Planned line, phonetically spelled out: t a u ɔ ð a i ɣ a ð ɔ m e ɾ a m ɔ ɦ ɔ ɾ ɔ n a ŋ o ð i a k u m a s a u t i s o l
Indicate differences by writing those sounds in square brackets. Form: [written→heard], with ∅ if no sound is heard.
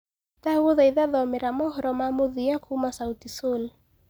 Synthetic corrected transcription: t a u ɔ ð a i [ɣ→ð] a ð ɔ m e ɾ a m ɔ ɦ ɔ ɾ ɔ [n→m] a [ŋ→m] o ð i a k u m a s a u t i s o l